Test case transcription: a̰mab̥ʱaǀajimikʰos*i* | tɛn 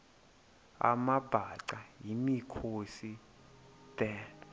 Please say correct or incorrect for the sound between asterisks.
correct